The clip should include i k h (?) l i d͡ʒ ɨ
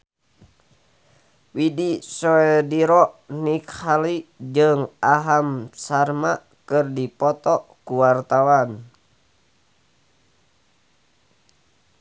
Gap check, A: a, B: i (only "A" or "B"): A